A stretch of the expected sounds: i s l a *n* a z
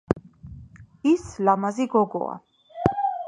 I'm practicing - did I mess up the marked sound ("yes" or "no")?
yes